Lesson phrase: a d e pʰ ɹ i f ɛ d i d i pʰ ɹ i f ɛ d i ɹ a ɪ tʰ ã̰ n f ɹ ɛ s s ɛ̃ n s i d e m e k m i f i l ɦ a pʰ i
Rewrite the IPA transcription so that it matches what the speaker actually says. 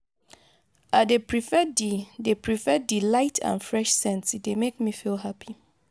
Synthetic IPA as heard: a d e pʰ ɹ i f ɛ d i d e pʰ ɹ i f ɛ d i l a ɪ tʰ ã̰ n f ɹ ɛ ʃ s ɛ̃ n s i d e m e k m i f i l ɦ a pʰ i